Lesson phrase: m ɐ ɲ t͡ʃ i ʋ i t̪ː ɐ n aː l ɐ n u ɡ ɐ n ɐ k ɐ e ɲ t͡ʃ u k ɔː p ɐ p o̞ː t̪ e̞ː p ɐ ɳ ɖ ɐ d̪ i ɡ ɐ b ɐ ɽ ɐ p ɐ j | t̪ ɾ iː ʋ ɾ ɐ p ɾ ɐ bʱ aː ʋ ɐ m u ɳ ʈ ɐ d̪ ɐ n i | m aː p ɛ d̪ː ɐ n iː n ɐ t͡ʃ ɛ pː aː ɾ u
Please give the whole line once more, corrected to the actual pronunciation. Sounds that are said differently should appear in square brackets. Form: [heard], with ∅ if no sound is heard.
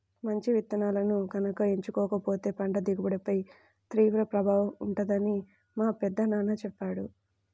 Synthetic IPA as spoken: m ɐ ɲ t͡ʃ i ʋ i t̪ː ɐ n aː l ɐ n u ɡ ɐ n ɐ k ɐ e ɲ t͡ʃ u k ɔː [k] ɐ p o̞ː t̪ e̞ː p ɐ ɳ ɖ ɐ d̪ i ɡ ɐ b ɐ ɽ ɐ p ɐ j | t̪ ɾ iː ʋ ɾ ɐ p ɾ ɐ bʱ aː ʋ ɐ m u ɳ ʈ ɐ d̪ ɐ n i | m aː p ɛ d̪ː ɐ n [aː] n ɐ t͡ʃ ɛ pː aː [ɽ] u

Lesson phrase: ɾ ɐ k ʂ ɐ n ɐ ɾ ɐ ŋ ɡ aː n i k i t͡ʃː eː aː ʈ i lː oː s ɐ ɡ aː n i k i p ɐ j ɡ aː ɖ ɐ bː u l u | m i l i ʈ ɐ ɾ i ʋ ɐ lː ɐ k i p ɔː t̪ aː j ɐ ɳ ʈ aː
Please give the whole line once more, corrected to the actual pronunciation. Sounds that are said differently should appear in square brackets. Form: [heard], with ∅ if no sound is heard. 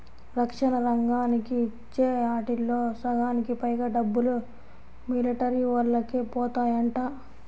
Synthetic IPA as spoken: ɾ ɐ k ʂ ɐ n ɐ ɾ ɐ ŋ ɡ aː n i k i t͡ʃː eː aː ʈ i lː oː s ɐ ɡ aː n i k i p ɐ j ɡ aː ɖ ɐ bː u l u | m i l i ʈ ɐ ɾ i ʋ ɐ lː ɐ k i p ɔː t̪ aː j ɐ ɳ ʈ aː

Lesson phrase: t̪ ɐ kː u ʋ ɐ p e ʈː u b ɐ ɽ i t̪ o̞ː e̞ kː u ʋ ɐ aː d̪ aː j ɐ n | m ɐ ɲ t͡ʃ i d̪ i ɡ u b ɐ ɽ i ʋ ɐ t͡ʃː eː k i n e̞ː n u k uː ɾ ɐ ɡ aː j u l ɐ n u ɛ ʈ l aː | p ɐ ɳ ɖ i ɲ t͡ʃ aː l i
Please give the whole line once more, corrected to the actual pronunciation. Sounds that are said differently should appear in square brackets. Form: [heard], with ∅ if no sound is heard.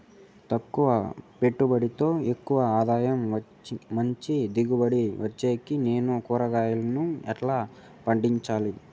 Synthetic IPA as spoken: t̪ ɐ kː u ʋ ɐ p e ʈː u b ɐ ɽ i t̪ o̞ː e̞ kː u ʋ ɐ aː d̪ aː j ɐ [m] | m ɐ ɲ t͡ʃ i d̪ i ɡ u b ɐ ɽ i ʋ ɐ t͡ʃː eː k i n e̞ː n u k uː ɾ ɐ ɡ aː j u l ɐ n u ɛ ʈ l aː | p ɐ ɳ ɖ i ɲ t͡ʃ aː l i

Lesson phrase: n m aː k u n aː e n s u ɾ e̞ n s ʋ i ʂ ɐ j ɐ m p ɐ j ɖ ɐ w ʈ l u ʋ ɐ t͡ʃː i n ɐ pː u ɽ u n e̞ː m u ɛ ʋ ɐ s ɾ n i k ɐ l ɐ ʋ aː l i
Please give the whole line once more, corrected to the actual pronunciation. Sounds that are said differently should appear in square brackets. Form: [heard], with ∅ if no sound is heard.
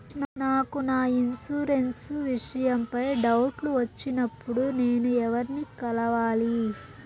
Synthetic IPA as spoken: n [n] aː k u n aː [i] n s u ɾ e̞ n s ʋ i ʂ ɐ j ɐ m p ɐ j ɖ ɐ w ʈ l u ʋ ɐ t͡ʃː i n ɐ pː u ɽ u n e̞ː [n] u ɛ ʋ ɐ [∅] ɾ n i k ɐ l ɐ ʋ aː l i

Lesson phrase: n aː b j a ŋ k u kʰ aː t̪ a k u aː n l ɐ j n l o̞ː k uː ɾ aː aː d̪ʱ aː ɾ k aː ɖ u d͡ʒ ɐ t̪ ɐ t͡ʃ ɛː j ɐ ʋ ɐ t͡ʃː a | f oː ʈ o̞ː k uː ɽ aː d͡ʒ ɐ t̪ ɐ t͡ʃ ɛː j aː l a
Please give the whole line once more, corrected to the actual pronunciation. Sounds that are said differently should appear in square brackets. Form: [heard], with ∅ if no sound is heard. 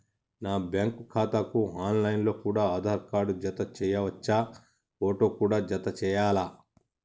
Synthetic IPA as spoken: n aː b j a ŋ k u kʰ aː t̪ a k u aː n l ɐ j n l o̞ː k uː [ɽ] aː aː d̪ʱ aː ɾ k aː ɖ u d͡ʒ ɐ t̪ ɐ t͡ʃ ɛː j ɐ ʋ ɐ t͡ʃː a | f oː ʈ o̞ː k uː ɽ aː d͡ʒ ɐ t̪ ɐ t͡ʃ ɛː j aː l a

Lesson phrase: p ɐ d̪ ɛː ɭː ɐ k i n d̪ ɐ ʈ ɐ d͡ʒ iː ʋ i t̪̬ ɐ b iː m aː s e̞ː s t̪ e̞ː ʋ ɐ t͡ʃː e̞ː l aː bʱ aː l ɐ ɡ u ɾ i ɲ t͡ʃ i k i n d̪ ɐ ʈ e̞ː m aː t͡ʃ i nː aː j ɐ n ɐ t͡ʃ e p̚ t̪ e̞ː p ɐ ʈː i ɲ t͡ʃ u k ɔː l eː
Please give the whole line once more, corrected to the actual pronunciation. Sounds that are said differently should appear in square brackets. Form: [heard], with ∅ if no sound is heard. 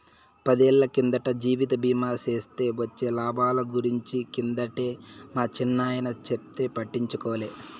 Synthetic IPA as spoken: p ɐ d̪ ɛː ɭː ɐ k i n d̪ ɐ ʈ ɐ d͡ʒ iː ʋ i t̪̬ ɐ b iː m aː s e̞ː s t̪ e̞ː ʋ ɐ t͡ʃː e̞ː l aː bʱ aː l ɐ ɡ u ɾ i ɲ t͡ʃ i k i n d̪ ɐ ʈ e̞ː m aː t͡ʃ i nː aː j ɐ n ɐ t͡ʃ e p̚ t̪ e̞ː p ɐ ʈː i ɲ t͡ʃ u k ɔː l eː

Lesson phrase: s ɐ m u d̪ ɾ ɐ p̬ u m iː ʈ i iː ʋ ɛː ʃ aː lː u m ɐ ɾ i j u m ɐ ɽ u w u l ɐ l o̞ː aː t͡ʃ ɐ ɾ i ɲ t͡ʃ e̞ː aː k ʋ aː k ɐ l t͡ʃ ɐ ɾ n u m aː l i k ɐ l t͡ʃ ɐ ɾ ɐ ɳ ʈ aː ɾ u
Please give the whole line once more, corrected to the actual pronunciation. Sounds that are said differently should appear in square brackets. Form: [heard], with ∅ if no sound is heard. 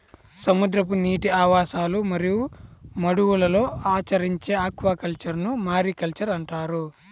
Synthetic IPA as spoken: s ɐ m u d̪ ɾ ɐ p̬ u [n] iː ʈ i [aː] ʋ [aː] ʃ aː [l] u m ɐ ɾ i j u m ɐ ɽ u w u l ɐ l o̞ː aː t͡ʃ ɐ ɾ i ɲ t͡ʃ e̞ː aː k ʋ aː k ɐ l t͡ʃ ɐ ɾ n u m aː [ɾ] i k ɐ l t͡ʃ ɐ ɾ ɐ ɳ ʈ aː ɾ u

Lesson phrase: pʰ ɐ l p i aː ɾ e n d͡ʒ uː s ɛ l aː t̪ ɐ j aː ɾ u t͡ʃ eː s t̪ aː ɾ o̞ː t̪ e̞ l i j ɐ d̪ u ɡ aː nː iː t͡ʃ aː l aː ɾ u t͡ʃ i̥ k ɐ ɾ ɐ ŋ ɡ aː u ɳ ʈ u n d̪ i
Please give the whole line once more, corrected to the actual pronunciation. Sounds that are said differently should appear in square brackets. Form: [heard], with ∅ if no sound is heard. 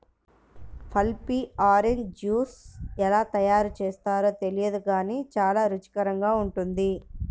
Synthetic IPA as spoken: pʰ ɐ l p i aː ɾ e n d͡ʒ uː s ɛ l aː t̪ ɐ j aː ɾ u t͡ʃ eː s t̪ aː ɾ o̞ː t̪ e̞ l i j ɐ d̪ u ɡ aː [n] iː t͡ʃ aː l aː ɾ u t͡ʃ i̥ k ɐ ɾ ɐ ŋ ɡ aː u ɳ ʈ u n d̪ i

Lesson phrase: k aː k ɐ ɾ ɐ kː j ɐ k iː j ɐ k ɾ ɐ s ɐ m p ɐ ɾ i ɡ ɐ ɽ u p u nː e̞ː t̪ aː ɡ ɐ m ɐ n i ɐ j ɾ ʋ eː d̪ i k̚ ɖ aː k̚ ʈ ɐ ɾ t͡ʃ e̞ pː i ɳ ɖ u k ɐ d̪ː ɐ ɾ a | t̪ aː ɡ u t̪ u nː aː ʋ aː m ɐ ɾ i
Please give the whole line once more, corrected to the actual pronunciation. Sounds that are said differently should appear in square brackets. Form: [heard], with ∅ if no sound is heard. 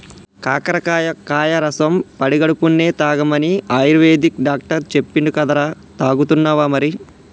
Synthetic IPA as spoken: k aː k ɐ ɾ ɐ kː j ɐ k [aː] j ɐ [∅] ɾ ɐ s ɐ m p ɐ [ɽ] i ɡ ɐ ɽ u p u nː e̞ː t̪ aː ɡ ɐ m ɐ n i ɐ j ɾ ʋ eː d̪ i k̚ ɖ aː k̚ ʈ ɐ ɾ t͡ʃ e̞ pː i ɳ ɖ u k ɐ [d̪] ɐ ɾ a | t̪ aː ɡ u t̪ u nː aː ʋ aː m ɐ ɾ i

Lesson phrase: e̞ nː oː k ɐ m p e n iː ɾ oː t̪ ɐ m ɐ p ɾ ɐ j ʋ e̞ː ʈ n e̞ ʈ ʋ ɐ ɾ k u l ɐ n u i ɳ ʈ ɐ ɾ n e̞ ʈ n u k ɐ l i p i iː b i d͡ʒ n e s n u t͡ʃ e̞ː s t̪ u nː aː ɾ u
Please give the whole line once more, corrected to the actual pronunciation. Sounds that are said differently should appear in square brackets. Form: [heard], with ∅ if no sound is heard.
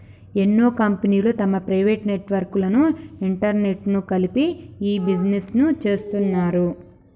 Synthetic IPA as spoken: e̞ nː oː k ɐ m p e n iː [l] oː t̪ ɐ m ɐ p ɾ ɐ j ʋ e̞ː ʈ n e̞ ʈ ʋ ɐ ɾ k u l ɐ n u i ɳ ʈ ɐ ɾ n e̞ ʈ n u k ɐ l i p i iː b i d͡ʒ n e s n u t͡ʃ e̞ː s t̪ u nː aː ɾ u

